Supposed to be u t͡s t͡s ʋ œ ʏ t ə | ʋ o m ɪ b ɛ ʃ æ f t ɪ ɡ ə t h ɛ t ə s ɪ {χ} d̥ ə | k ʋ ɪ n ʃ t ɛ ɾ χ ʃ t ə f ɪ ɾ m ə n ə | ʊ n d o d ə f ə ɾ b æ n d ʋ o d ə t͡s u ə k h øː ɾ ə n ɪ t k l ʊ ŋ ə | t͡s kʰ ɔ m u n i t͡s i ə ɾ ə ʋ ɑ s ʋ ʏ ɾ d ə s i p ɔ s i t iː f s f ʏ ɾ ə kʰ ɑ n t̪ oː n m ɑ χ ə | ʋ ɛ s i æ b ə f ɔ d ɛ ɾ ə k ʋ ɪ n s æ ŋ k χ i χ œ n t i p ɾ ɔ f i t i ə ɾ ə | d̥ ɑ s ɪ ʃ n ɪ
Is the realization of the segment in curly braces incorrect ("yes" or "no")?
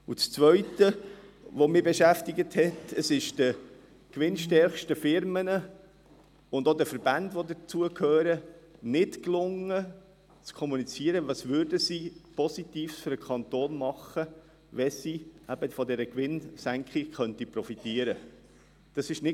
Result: yes